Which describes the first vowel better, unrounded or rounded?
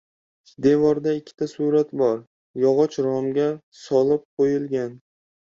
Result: unrounded